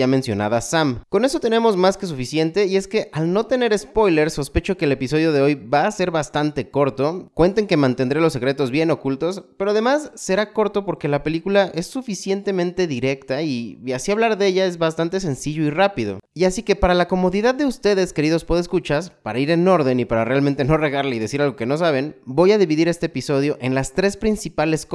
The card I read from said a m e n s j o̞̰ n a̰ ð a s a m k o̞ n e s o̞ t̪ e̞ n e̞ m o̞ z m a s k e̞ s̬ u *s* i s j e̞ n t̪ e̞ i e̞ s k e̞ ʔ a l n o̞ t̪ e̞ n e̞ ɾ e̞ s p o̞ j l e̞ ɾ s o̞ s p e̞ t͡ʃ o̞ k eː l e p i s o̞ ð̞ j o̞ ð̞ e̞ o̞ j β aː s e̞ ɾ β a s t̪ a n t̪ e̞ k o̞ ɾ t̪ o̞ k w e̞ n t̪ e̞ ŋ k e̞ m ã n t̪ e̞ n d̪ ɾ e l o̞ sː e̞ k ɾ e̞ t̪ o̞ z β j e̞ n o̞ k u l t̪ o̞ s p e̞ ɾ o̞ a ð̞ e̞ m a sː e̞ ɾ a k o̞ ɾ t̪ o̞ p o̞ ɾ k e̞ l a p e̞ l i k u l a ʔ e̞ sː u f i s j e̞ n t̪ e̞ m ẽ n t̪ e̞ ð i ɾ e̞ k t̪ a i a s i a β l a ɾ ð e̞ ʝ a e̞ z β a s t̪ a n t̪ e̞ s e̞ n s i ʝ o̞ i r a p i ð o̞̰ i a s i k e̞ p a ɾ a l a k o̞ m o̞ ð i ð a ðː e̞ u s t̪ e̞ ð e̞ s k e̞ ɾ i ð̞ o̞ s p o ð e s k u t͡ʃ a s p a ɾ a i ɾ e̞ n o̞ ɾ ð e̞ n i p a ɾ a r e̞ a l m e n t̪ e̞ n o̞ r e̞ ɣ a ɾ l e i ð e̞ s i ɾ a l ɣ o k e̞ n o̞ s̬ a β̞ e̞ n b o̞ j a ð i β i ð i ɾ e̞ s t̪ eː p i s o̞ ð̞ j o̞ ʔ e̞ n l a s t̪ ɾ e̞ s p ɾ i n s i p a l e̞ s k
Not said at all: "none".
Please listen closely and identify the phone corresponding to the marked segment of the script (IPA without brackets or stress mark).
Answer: f